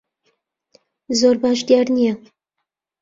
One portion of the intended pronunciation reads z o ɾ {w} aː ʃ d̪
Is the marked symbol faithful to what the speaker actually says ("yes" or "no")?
no